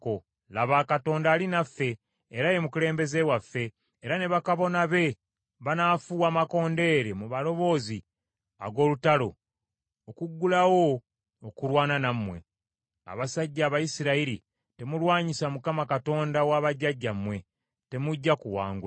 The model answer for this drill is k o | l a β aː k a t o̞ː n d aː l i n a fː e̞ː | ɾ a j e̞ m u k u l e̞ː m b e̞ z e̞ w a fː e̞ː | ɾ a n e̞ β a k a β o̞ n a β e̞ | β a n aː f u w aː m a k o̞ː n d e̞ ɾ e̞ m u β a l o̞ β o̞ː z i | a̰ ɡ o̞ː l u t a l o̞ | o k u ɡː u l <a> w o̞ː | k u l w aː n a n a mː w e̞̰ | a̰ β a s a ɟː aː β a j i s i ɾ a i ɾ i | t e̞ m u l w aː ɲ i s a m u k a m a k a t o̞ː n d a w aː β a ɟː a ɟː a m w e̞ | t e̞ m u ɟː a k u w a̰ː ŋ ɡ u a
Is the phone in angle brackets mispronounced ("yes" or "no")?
no